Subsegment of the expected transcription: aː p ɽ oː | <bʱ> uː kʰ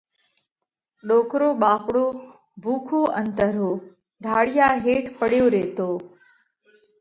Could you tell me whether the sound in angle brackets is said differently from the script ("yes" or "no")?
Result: no